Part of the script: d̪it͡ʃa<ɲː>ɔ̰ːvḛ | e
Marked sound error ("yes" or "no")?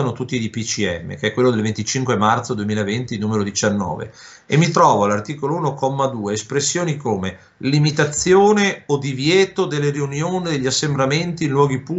yes